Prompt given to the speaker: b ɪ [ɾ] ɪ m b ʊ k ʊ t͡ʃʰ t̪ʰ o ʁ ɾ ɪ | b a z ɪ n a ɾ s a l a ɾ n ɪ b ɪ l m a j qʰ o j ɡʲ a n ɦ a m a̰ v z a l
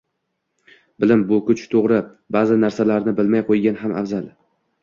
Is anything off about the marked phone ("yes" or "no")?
yes